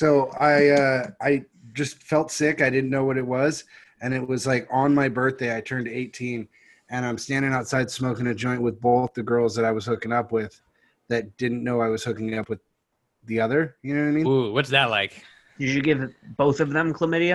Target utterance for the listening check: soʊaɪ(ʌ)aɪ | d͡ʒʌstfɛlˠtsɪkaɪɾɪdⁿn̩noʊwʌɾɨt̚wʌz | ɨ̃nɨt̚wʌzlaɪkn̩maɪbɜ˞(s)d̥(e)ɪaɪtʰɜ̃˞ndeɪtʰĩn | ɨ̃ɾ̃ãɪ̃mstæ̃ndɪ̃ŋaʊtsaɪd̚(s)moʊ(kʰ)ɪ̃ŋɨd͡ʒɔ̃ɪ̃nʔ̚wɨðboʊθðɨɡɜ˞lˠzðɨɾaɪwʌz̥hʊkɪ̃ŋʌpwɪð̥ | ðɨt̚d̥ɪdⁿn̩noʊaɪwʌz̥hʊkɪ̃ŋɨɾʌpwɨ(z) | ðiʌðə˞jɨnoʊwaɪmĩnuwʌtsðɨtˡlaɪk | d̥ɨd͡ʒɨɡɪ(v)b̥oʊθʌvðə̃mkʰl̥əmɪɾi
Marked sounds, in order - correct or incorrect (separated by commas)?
correct, incorrect, correct, correct, incorrect, incorrect, correct